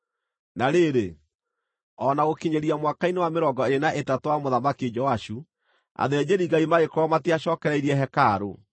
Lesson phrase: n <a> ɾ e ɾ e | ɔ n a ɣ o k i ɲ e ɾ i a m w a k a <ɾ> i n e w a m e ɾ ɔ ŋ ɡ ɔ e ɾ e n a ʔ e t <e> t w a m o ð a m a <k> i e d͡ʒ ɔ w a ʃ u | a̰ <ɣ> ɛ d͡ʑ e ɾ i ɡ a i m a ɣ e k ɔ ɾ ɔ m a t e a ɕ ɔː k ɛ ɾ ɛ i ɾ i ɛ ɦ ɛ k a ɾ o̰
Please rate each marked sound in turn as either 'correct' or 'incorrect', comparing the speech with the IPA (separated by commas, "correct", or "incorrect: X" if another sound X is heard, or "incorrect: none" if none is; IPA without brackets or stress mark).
correct, incorrect: none, incorrect: a, correct, incorrect: ð